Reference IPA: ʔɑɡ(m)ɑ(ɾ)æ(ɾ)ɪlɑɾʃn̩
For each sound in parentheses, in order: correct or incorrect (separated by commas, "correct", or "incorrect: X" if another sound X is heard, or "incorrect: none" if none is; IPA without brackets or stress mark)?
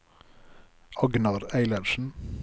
incorrect: n, correct, incorrect: none